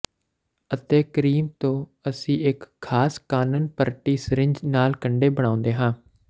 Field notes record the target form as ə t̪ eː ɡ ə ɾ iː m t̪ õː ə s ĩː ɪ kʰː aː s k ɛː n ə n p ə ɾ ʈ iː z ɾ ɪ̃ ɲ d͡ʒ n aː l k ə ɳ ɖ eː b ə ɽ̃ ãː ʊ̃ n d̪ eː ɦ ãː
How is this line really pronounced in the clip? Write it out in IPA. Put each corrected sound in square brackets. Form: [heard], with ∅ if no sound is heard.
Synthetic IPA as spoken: ə t̪ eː [k] ə ɾ iː m t̪ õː ə s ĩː ɪ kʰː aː s k [aː] n ə n p ə ɾ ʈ iː [s] ɾ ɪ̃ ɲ d͡ʒ n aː l k ə ɳ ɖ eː b ə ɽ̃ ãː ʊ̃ n d̪ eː ɦ ãː